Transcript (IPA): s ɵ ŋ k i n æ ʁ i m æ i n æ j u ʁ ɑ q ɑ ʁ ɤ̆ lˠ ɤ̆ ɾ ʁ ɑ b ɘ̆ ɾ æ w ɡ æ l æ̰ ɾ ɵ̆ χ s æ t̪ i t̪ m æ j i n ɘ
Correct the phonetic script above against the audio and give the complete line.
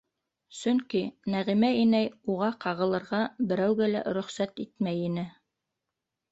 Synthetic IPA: s ɵ ŋ k i n æ ʁ i m æ i n æ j u ʁ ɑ q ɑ ʁ ɤ̆ lˠ ɤ̆ ɾ ʁ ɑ b ɘ̆ ɾ æ w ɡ æ l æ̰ ɾ ɵ̆ χ s æ t̪ i t̪ m æ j i n ɘ